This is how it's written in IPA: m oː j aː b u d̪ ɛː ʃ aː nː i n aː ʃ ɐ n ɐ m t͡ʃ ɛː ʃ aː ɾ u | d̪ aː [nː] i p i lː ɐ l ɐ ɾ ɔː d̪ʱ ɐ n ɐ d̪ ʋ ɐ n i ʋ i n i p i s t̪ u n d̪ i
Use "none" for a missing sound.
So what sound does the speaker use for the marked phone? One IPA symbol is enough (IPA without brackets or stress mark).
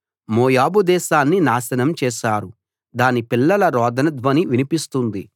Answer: n